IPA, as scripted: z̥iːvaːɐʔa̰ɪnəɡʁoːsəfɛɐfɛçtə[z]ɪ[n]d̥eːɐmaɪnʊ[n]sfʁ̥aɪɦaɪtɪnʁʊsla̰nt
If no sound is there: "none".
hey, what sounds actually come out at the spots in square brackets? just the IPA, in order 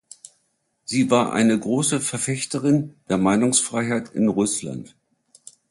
ʁ, n, ŋ

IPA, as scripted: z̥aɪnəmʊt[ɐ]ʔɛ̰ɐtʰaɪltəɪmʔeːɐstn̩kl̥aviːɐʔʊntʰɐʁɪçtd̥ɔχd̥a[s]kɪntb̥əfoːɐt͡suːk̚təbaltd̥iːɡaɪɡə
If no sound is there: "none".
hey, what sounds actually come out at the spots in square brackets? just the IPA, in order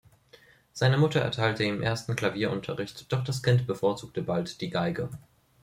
ɐ, s

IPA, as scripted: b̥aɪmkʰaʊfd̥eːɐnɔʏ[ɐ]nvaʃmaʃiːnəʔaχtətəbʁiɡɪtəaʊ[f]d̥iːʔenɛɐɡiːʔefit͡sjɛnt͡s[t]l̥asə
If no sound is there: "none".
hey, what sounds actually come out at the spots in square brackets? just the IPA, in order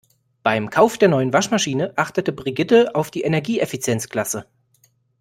ə, f, k

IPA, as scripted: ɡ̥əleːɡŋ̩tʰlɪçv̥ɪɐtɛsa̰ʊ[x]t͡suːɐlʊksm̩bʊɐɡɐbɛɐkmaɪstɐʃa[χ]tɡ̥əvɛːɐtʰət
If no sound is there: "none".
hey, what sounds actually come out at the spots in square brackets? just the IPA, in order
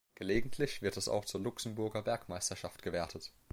x, f

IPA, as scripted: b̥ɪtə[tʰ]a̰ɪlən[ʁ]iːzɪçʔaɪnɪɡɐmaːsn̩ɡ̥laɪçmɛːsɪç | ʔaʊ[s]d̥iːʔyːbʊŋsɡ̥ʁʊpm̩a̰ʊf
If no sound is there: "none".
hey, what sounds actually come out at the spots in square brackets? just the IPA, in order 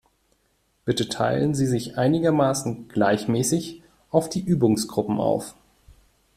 tʰ, z, f

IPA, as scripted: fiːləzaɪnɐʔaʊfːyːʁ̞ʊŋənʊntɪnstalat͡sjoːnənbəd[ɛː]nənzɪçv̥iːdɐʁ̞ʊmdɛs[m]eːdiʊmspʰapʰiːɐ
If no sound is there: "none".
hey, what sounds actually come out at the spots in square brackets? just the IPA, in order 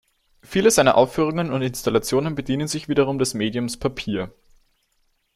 iː, m

